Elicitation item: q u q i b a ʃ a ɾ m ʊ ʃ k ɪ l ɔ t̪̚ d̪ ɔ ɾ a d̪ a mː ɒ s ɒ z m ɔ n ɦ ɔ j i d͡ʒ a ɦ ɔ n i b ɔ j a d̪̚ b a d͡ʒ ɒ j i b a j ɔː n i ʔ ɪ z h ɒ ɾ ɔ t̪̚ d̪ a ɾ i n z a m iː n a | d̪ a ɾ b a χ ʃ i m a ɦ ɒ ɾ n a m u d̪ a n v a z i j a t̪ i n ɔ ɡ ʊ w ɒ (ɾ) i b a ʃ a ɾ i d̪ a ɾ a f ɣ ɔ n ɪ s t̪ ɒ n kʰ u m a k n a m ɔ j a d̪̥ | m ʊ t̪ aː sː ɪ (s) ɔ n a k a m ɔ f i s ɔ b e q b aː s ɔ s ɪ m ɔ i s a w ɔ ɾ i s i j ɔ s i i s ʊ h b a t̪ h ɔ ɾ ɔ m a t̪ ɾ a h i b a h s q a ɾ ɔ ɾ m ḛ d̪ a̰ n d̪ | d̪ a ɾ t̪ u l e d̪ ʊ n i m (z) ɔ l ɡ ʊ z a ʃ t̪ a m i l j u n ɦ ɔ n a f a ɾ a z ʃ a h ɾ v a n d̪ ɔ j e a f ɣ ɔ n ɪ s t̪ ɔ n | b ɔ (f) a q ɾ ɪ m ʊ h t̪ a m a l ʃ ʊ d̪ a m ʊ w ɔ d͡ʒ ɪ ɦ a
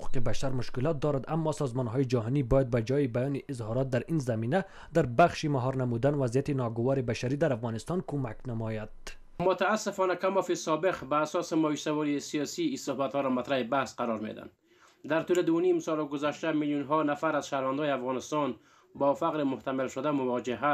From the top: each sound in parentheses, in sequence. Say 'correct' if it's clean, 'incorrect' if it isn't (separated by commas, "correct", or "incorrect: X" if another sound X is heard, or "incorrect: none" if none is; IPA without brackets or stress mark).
correct, incorrect: f, incorrect: s, correct